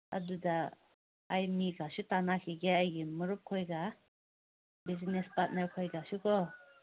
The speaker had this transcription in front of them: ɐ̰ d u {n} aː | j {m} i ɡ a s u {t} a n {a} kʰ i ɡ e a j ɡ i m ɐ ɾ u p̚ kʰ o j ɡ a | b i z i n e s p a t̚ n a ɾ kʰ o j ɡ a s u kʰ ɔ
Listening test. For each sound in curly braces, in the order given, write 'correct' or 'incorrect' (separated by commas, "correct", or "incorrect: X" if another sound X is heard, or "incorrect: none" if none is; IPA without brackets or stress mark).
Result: incorrect: d, correct, correct, correct